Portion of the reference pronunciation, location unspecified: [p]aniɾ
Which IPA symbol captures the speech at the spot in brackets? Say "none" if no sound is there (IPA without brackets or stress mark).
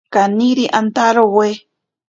k